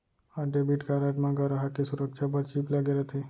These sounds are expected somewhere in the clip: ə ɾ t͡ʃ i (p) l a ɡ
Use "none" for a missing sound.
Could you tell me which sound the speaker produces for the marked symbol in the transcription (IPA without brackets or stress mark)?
p